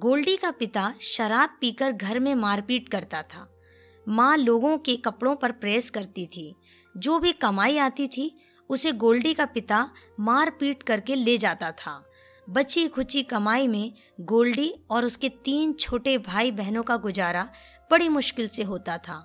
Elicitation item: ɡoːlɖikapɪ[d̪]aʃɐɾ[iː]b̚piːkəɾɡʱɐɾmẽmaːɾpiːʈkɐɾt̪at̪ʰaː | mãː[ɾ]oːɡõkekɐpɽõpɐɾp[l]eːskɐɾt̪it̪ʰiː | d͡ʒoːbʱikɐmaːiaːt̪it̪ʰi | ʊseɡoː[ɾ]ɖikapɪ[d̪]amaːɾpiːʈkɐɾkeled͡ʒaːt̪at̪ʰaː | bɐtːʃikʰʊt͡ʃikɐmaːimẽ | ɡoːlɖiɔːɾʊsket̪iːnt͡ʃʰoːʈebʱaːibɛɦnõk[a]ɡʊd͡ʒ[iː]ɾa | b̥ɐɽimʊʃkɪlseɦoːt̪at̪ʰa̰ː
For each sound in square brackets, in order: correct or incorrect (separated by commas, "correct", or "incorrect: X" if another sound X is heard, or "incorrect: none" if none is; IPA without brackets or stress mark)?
incorrect: t̪, incorrect: aː, incorrect: l, incorrect: ɾ, incorrect: l, incorrect: t̪, correct, incorrect: aː